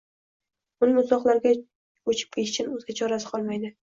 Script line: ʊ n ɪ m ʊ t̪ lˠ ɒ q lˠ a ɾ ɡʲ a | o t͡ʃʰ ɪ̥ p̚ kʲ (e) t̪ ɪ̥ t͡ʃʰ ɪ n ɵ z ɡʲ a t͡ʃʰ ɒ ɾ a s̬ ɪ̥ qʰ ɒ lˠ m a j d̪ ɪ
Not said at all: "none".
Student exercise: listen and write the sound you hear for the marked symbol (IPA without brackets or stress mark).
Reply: e